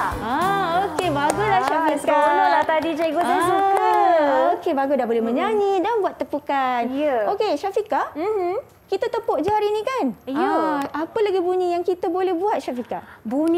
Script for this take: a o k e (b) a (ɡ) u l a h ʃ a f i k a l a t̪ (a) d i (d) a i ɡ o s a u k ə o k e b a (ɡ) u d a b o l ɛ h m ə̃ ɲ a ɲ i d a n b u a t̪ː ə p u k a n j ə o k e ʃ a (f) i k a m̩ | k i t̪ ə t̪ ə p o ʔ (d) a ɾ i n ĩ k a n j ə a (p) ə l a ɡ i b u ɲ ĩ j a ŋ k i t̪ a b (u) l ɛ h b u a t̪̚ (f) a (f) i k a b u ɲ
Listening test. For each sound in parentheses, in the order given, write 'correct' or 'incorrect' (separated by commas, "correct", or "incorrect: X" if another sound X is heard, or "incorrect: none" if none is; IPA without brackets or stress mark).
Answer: correct, correct, correct, incorrect: d͡ʒ, correct, correct, incorrect: d͡ʒ, correct, incorrect: o, incorrect: ʃ, correct